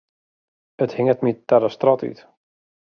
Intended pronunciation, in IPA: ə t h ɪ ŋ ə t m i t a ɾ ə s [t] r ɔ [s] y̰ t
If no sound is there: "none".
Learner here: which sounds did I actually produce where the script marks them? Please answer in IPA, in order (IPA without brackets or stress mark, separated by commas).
t, t